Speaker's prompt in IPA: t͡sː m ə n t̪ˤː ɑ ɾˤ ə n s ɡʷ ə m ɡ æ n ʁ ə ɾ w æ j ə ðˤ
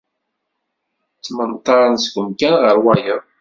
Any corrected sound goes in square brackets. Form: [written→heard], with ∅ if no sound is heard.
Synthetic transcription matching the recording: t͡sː m ə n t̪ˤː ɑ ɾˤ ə n s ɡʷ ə m [ɡ→k] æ n ʁ ə ɾ w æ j ə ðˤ